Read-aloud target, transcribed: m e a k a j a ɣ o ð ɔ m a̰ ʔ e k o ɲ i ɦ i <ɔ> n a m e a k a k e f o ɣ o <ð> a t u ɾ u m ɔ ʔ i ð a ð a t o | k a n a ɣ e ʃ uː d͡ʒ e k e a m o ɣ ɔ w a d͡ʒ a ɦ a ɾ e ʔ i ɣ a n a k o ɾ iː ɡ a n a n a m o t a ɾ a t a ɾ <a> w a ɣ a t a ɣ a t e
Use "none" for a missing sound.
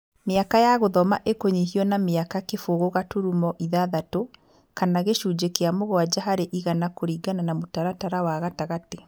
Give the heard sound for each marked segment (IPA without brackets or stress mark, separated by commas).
ɔ, ɣ, a